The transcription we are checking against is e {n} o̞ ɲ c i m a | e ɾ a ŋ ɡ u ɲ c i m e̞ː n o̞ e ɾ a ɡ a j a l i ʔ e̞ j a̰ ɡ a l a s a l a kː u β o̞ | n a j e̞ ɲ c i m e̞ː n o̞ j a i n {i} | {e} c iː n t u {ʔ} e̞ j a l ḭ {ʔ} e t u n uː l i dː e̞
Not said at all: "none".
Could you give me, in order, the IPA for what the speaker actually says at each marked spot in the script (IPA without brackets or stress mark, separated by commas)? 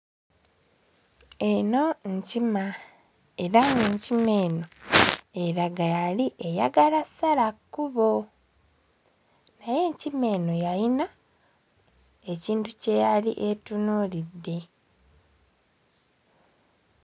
n, a, e, c, ʔ